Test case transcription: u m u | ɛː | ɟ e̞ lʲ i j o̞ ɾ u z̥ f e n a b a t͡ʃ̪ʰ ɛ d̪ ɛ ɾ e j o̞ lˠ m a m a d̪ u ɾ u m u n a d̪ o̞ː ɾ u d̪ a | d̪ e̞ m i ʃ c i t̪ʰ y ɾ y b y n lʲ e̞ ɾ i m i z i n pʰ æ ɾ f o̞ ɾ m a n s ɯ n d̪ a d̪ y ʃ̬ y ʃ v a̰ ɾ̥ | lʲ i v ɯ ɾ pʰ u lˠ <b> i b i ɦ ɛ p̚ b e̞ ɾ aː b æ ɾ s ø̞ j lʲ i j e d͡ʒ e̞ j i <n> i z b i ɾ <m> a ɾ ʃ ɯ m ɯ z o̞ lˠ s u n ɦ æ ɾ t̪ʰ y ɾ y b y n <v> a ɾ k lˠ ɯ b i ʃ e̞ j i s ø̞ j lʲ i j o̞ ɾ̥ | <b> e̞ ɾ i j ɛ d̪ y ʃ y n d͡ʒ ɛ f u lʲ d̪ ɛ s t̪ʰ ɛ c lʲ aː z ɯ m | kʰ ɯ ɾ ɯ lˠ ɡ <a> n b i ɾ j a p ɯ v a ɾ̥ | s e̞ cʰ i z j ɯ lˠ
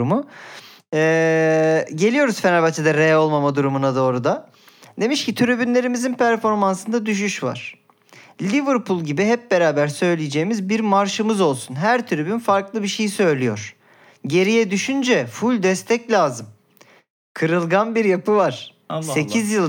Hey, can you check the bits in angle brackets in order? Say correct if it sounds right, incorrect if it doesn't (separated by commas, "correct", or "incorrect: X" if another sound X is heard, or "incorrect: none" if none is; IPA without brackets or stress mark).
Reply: incorrect: ɟ, incorrect: m, correct, incorrect: f, incorrect: ɟ, correct